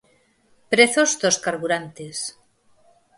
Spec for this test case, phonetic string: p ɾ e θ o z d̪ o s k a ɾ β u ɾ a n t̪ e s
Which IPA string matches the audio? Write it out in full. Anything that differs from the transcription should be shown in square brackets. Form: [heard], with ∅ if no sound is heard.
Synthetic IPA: p ɾ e θ o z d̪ o s k a ɾ β u ɾ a n t̪ e s